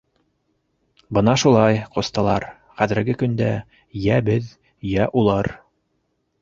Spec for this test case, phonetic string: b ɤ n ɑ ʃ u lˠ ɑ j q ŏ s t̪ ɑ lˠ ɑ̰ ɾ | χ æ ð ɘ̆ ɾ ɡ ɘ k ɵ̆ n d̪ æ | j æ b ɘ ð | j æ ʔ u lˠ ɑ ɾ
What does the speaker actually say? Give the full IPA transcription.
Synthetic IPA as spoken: b ɤ n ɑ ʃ u lˠ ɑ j q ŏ s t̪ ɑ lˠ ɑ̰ ɾ | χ æ ð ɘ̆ ɾ ɡ ɘ k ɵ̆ n d̪ æ | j æ b ɘ ð | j æ ʔ u lˠ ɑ ɾ